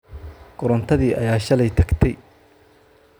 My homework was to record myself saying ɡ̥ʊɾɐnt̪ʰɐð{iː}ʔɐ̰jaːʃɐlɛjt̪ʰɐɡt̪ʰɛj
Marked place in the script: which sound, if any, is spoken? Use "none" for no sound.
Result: iː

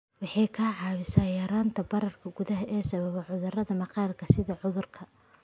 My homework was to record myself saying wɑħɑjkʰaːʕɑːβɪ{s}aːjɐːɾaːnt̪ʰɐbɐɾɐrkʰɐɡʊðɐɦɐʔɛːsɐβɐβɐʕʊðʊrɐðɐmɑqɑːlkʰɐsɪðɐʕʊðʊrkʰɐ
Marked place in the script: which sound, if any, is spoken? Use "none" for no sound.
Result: s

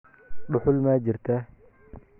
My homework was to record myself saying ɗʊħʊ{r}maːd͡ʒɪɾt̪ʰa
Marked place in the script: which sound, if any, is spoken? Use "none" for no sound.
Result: l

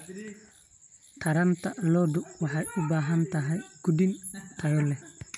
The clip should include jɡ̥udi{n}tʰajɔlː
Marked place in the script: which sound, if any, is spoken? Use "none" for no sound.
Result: n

